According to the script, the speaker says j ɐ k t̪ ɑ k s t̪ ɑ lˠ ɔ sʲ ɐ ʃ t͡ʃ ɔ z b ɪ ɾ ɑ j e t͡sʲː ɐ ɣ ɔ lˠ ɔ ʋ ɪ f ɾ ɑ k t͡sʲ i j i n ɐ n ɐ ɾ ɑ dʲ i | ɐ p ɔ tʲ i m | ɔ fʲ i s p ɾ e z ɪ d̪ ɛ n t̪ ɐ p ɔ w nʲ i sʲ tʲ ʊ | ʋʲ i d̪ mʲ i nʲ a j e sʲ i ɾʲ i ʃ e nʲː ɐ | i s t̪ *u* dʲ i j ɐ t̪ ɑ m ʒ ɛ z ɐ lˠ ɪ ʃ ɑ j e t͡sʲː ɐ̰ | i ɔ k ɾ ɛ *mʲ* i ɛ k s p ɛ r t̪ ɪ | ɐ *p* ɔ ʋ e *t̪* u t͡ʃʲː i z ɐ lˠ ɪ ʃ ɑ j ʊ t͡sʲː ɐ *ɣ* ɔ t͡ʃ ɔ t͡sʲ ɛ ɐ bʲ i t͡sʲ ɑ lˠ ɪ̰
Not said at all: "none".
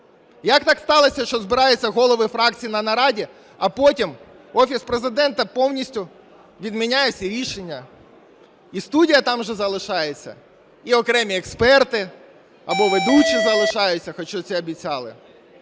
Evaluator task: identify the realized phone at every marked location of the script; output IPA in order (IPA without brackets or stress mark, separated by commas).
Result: u, mʲ, b, d̪, x